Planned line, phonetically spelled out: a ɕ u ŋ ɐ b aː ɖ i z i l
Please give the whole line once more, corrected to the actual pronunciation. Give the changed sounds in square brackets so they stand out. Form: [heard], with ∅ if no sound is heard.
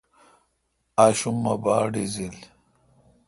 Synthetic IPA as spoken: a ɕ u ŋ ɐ b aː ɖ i z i l